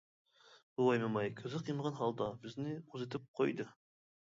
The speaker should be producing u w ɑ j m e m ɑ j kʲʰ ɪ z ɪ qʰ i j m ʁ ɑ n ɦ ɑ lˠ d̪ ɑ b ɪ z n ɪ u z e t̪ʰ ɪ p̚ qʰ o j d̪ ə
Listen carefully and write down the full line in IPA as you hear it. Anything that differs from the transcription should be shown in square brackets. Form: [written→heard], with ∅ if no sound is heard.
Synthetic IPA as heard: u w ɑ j m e m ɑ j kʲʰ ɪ z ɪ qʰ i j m ʁ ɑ n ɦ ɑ lˠ d̪ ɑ b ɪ z n ɪ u z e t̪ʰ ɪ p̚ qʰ o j d̪ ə